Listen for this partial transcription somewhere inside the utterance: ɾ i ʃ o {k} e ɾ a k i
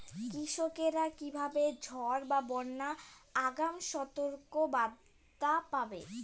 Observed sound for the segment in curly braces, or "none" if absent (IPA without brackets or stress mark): k